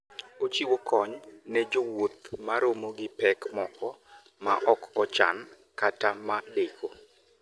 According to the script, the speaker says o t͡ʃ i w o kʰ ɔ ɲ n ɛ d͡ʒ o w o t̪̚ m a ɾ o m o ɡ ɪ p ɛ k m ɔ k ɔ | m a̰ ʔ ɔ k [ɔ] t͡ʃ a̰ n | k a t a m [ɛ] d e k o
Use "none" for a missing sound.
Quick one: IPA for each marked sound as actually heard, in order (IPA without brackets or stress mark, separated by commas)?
ɔ, a